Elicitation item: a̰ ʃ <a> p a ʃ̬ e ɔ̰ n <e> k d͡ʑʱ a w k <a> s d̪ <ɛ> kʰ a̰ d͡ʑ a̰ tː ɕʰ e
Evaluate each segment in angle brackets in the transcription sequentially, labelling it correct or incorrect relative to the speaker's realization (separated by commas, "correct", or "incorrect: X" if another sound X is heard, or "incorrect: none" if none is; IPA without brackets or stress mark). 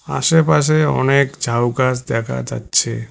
incorrect: e, correct, correct, correct